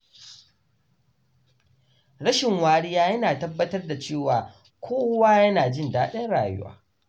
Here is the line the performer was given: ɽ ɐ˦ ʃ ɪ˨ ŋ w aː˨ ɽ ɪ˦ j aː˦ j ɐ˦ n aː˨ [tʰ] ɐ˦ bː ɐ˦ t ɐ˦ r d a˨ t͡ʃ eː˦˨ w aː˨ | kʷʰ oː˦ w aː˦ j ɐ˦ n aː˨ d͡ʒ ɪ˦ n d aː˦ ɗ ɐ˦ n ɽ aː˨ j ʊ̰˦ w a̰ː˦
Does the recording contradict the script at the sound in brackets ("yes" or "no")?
yes